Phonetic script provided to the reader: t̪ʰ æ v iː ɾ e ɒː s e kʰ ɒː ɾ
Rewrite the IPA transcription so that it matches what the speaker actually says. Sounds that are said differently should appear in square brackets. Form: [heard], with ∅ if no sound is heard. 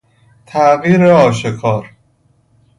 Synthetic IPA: t̪ʰ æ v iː ɾ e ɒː [ʃ] e kʰ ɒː ɾ